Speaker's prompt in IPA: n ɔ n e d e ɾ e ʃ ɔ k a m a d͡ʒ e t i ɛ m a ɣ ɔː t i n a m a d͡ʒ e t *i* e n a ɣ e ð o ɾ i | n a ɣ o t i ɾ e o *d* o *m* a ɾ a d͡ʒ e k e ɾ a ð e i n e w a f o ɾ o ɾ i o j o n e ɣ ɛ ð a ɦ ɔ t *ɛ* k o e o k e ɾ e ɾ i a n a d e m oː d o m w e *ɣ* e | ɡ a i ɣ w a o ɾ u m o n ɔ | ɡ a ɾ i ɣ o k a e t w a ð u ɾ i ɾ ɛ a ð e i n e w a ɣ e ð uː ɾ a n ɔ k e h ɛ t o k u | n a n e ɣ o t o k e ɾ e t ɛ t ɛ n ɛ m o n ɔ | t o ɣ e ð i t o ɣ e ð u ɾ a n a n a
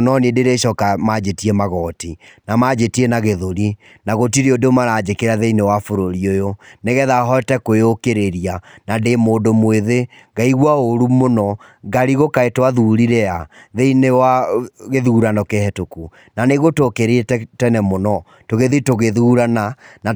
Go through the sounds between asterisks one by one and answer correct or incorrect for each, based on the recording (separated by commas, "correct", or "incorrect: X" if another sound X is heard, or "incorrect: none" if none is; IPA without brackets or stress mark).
correct, correct, correct, correct, incorrect: ð